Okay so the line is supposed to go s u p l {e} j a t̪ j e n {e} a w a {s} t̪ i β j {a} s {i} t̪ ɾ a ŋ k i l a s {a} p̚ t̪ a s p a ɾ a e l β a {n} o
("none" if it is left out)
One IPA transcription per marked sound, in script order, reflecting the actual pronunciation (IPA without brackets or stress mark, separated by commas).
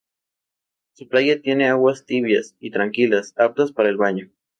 a, e, s, a, i, a, ɲ